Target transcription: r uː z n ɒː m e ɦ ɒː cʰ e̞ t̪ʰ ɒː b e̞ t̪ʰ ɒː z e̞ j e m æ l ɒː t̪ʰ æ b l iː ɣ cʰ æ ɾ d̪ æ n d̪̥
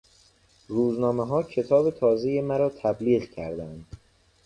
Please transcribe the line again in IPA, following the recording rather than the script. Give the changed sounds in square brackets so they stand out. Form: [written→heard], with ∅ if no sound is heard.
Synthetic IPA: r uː z n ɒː m e ɦ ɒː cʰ e̞ t̪ʰ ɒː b e̞ t̪ʰ ɒː z e̞ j e m æ [l→ɾ] ɒː t̪ʰ æ b l iː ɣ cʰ æ ɾ d̪ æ n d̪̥